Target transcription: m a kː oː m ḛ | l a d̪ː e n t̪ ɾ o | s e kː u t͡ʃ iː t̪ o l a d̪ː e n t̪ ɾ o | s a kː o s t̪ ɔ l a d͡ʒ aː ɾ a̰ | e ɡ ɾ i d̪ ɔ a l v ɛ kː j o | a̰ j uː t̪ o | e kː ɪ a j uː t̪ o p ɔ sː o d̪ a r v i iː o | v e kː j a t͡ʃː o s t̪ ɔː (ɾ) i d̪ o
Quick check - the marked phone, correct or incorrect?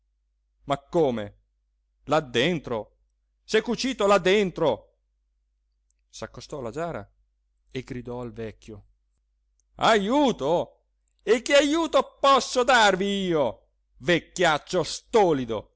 incorrect